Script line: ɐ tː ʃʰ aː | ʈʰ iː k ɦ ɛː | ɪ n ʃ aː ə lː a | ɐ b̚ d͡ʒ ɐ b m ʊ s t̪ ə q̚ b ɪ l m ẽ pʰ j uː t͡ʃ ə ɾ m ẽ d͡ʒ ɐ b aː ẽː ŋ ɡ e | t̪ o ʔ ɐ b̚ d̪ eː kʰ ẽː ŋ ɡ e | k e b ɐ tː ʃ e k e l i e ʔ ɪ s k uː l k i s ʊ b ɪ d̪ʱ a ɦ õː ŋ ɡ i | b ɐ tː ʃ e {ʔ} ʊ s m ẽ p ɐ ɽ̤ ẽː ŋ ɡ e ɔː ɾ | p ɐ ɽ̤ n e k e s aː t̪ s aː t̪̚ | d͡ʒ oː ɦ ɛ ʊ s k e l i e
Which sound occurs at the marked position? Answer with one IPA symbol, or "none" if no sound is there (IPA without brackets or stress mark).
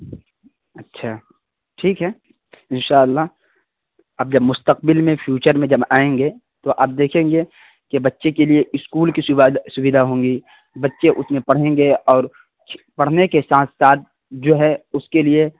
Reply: ʔ